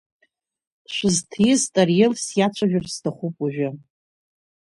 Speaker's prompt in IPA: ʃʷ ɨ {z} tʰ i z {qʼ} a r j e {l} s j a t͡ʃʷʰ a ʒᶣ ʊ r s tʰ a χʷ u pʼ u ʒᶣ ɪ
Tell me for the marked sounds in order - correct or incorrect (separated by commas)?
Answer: correct, incorrect, correct